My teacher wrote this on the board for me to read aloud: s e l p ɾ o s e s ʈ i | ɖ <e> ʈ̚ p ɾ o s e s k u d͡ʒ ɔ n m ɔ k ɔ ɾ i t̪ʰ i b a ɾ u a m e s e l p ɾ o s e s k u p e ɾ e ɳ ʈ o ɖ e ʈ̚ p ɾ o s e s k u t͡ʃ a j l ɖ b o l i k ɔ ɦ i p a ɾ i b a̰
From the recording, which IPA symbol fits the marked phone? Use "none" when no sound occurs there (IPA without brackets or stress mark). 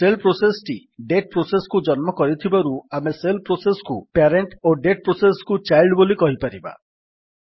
e